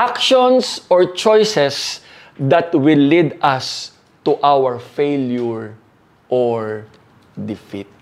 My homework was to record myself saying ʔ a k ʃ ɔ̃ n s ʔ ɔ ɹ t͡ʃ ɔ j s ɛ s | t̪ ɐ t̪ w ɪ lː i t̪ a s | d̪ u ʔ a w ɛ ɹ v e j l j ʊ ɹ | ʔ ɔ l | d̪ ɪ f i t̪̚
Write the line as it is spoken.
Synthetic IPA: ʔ a k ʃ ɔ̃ n s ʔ ɔ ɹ t͡ʃ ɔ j s ɛ s | d̪ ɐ t̪ w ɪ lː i d̪ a s | t̪ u ʔ a w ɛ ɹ f e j l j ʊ ɹ | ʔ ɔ ɹ | d̪ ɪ f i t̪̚